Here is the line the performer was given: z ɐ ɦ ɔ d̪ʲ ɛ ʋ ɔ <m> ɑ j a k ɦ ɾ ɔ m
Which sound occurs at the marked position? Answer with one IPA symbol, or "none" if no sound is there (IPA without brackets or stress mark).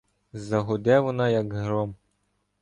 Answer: n